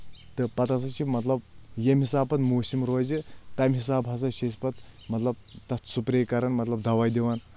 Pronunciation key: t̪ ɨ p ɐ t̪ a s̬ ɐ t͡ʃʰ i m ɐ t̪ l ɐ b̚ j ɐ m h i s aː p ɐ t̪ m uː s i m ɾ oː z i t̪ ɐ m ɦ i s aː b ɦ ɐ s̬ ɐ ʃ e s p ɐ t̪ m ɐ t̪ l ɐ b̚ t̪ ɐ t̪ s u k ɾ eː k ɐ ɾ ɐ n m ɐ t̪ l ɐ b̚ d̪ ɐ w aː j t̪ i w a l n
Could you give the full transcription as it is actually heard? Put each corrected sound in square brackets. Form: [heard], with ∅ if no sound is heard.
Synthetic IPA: t̪ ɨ p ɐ t̪ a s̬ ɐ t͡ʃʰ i m ɐ t̪ l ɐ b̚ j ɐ m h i s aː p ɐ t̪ m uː s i m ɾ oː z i t̪ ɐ m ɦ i s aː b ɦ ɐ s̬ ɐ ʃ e s p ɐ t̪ m ɐ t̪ l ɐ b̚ t̪ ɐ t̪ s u [p] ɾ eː k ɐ ɾ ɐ n m ɐ t̪ l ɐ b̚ d̪ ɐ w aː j [d̪] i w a [∅] n